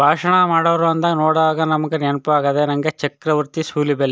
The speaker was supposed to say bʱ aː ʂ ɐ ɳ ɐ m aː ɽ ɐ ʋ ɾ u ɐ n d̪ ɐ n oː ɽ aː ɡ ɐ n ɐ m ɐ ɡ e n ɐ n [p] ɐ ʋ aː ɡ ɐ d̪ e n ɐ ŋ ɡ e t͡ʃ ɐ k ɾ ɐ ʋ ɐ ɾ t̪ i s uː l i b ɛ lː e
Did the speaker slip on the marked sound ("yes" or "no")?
no